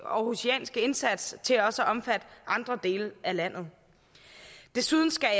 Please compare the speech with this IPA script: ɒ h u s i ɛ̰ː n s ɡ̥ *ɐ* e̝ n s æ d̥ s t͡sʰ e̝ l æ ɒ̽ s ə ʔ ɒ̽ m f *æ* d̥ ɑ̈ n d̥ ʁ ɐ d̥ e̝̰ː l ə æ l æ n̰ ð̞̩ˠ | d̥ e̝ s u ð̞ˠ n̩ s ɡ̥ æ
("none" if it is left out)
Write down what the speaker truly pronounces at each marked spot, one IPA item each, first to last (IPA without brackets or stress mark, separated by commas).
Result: ə, æ